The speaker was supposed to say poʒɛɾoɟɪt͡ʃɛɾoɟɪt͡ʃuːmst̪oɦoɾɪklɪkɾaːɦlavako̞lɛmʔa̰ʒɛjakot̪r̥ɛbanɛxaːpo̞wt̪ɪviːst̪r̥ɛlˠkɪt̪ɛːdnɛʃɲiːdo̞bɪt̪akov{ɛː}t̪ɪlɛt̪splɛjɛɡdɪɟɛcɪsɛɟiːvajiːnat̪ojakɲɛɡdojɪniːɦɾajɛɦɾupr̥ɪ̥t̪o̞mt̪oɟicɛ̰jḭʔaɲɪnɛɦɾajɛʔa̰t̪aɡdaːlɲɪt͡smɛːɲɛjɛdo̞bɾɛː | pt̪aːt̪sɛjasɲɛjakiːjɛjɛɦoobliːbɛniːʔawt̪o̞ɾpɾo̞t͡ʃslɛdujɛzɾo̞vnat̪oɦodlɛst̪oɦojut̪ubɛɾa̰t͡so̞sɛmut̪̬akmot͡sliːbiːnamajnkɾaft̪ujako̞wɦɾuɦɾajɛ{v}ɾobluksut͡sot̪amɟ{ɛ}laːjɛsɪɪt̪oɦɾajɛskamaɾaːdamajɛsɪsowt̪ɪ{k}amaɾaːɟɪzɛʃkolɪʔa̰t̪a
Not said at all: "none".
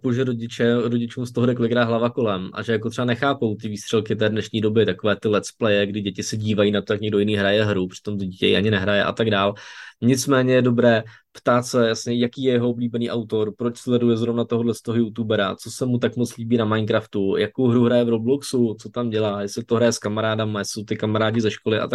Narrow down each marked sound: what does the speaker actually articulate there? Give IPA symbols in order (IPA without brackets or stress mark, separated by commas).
ɛː, v, ɛ, k